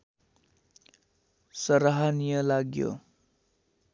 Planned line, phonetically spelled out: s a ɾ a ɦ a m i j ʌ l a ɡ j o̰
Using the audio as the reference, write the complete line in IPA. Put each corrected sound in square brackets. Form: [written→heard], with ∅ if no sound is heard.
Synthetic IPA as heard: s [a→ʌ] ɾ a ɦ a [m→n] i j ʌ l a ɡ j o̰